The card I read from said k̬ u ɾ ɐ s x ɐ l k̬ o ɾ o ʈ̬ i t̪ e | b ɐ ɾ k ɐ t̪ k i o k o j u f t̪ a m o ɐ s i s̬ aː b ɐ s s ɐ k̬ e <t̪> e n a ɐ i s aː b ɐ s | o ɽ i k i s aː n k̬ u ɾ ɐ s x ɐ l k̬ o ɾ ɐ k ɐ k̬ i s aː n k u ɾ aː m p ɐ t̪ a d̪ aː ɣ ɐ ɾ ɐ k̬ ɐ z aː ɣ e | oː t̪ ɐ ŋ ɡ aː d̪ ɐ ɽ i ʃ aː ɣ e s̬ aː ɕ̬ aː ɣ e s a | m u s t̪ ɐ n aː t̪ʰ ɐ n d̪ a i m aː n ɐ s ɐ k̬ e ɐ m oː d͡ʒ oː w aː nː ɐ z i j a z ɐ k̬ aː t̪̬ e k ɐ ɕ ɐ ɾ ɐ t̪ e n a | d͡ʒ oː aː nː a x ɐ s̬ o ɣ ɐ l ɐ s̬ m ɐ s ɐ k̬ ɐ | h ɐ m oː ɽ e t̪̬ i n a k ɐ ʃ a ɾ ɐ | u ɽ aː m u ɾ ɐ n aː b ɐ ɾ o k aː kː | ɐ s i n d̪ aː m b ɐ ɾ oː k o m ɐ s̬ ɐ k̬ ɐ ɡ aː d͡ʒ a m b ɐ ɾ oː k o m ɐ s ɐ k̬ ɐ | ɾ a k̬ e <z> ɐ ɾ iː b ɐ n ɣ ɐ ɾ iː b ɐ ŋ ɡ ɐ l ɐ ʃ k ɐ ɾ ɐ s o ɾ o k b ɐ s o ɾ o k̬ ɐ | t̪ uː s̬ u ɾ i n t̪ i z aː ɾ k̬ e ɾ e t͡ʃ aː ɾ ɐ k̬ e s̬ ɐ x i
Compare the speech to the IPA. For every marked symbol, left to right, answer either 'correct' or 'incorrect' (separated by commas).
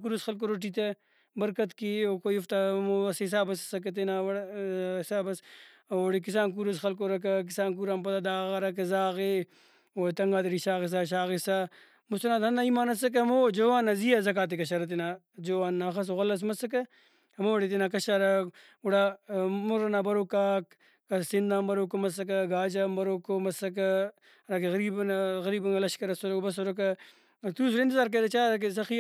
correct, incorrect